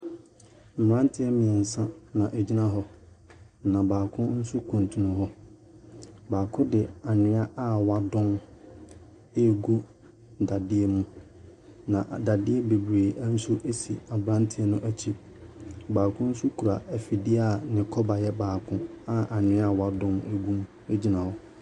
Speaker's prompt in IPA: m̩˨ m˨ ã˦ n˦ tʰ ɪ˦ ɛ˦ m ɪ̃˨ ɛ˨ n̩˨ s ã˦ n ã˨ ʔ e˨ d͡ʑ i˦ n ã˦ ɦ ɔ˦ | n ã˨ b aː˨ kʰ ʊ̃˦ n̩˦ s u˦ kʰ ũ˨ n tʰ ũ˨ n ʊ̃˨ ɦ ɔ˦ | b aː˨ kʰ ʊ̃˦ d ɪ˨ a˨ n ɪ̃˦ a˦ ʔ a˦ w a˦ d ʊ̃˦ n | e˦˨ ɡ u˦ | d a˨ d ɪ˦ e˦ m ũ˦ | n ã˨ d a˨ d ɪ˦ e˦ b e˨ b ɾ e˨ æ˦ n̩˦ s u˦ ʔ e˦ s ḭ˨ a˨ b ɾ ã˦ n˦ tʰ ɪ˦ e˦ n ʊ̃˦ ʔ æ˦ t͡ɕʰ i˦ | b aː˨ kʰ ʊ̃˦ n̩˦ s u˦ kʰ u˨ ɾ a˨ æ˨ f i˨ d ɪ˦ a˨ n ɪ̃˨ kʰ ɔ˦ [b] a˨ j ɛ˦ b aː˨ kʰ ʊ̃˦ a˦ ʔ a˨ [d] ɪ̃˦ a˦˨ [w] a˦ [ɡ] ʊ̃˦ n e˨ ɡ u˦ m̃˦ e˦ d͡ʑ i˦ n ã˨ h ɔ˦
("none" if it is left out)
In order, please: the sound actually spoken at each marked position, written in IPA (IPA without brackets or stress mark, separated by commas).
b, n, w, d